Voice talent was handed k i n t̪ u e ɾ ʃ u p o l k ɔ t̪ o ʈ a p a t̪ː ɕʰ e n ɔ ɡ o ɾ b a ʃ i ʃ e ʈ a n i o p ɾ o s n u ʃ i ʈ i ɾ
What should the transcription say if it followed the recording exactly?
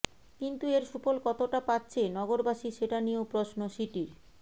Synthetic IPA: k i n t̪ u e ɾ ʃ u p o l k ɔ t̪ o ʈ a p a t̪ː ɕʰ e n ɔ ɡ o ɾ b a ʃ i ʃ e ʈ a n i o p ɾ o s n o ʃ i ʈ i ɾ